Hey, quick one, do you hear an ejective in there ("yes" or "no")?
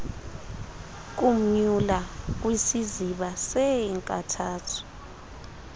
yes